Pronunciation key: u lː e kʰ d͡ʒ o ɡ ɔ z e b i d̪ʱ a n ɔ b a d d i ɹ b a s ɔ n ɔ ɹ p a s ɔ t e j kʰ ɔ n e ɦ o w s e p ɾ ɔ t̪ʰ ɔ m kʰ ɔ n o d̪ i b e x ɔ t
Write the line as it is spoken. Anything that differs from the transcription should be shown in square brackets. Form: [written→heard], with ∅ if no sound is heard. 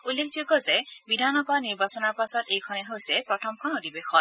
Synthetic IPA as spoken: u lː e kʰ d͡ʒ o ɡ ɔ z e b i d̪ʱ a n ɔ b a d [d→n] i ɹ b a s ɔ n ɔ ɹ p a s ɔ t e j kʰ ɔ n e ɦ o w s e p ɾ ɔ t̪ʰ ɔ m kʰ ɔ n o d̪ i b e x ɔ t